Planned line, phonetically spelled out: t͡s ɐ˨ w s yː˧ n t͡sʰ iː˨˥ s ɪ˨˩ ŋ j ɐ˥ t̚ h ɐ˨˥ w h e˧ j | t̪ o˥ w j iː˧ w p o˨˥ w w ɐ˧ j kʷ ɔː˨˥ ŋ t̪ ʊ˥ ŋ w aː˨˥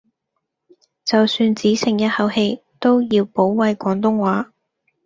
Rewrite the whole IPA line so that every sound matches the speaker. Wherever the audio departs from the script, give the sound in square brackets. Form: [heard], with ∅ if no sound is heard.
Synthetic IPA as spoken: t͡s ɐ˨ w s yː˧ n [t͡s] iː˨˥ s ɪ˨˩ ŋ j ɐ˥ t̚ h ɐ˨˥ w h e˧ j | t̪ o˥ w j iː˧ w p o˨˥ w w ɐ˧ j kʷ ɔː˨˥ ŋ t̪ ʊ˥ ŋ w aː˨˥

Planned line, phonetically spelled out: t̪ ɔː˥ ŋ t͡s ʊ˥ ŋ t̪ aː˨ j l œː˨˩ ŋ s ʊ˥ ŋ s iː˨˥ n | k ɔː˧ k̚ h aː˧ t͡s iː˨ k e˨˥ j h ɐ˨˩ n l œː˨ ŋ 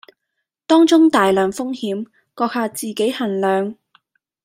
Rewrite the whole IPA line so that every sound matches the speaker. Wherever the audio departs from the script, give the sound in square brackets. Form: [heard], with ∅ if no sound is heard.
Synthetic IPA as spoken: t̪ ɔː˥ ŋ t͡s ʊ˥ ŋ t̪ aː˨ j l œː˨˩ ŋ [f] ʊ˥ ŋ [h] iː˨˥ [m] | k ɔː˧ k̚ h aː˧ t͡s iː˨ k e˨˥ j h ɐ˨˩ n l œː˨ ŋ

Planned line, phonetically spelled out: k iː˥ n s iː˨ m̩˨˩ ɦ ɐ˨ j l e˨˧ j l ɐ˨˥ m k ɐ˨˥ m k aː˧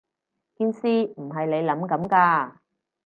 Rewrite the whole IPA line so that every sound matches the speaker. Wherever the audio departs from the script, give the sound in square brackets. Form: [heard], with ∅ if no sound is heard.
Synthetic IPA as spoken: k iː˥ n s [iː˥] m̩˨˩ ɦ ɐ˨ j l e˨˧ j l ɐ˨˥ m k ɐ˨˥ m k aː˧

